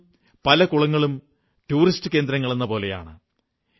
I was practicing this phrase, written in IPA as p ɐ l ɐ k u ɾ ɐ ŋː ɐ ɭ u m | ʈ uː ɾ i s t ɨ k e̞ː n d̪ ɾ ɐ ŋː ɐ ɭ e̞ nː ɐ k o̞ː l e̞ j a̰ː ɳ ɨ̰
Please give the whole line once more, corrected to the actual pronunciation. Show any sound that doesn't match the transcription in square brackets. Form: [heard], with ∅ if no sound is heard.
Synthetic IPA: p ɐ l ɐ k u [ɭ] ɐ ŋː ɐ ɭ u m | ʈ uː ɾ i s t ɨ k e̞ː n d̪ ɾ ɐ ŋː ɐ ɭ e̞ nː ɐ [p] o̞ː l e̞ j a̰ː ɳ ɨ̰